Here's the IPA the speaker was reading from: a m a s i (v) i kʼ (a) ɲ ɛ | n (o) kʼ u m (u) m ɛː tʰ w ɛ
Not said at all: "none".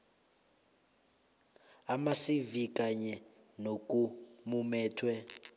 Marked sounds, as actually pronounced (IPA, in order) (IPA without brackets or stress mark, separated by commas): v, a, o, u